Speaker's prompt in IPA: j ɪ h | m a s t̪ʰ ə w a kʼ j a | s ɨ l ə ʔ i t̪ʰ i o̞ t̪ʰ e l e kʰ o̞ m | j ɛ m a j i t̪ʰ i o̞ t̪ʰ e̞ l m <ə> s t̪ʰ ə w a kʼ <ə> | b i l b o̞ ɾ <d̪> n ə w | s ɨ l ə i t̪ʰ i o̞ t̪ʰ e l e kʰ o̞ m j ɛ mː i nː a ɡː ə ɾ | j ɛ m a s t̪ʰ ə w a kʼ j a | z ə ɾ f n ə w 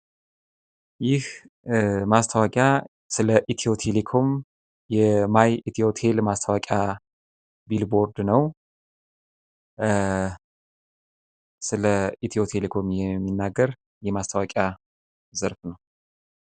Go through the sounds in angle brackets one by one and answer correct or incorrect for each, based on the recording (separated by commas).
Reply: incorrect, incorrect, correct